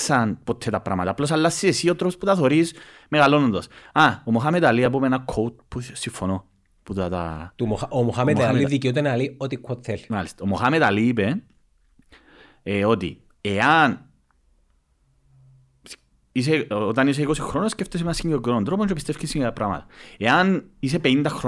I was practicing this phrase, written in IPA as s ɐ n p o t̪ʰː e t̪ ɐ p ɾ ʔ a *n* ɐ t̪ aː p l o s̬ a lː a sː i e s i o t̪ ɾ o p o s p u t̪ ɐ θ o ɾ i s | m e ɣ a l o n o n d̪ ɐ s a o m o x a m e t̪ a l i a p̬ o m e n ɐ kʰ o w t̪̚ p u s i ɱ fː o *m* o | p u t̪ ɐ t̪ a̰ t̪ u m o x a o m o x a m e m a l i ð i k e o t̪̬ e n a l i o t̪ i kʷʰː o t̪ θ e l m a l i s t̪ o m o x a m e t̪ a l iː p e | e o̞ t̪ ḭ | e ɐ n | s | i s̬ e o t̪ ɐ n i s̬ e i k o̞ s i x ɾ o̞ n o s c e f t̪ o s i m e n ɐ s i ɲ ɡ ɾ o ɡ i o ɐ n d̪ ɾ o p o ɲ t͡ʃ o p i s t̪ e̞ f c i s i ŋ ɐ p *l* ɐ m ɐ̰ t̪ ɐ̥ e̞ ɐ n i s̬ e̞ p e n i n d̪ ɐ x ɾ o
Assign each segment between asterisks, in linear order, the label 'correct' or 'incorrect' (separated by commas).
incorrect, incorrect, incorrect